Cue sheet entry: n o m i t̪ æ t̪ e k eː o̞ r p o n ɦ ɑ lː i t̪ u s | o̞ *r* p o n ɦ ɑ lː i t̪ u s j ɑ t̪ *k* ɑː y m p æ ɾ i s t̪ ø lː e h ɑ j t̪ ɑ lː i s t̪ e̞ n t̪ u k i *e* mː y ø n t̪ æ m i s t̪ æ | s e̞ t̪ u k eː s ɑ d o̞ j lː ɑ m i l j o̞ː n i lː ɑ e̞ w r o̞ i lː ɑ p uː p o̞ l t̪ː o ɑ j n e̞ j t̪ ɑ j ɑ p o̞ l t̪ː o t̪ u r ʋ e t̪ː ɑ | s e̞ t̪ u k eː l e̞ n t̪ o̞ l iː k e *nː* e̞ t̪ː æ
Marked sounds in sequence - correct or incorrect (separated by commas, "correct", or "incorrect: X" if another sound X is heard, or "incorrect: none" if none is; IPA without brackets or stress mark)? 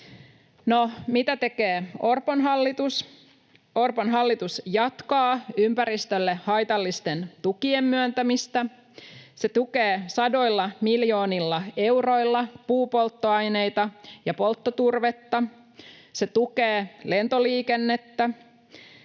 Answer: correct, correct, correct, correct